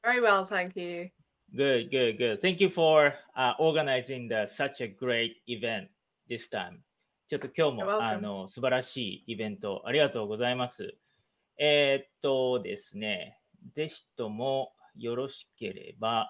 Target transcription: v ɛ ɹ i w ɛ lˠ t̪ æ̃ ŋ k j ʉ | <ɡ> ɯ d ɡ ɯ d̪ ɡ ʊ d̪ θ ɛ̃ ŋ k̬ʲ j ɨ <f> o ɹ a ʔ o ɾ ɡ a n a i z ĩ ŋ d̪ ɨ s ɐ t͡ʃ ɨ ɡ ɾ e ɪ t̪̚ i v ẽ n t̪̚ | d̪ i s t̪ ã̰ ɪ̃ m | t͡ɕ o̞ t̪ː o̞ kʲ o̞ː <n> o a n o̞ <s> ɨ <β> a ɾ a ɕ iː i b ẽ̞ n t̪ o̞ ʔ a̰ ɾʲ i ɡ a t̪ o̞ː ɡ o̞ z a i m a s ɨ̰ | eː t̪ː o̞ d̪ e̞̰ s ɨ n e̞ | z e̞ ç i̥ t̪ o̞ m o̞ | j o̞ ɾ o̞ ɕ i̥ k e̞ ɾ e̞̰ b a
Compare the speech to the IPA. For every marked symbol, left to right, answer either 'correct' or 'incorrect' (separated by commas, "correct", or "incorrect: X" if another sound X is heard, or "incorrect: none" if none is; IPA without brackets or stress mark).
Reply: correct, correct, incorrect: m, correct, incorrect: b